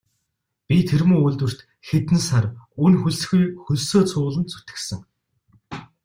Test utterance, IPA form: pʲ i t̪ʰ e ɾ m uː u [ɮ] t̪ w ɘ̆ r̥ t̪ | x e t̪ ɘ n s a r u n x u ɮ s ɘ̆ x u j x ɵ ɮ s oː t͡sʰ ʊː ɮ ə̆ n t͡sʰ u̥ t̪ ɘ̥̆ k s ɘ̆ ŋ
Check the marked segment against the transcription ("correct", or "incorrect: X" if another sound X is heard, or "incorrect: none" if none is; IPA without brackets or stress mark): correct